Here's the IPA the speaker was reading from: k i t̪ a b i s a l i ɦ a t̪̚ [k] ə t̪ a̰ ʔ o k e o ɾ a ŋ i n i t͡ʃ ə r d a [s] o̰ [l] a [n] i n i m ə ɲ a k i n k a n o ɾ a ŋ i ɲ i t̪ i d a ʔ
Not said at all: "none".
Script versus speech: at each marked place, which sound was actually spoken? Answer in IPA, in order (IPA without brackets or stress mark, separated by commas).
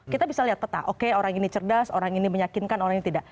p, s, ɾ, ŋ